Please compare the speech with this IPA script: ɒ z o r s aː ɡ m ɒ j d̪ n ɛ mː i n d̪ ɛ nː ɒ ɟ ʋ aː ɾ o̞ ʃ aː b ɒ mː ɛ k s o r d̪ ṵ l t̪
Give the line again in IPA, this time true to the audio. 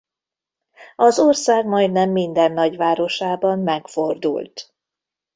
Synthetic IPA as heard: ɒ z o r s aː ɡ m ɒ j d̪ n ɛ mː i n d̪ ɛ nː ɒ ɟ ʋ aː ɾ o̞ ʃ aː b ɒ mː ɛ k f o r d̪ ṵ l t̪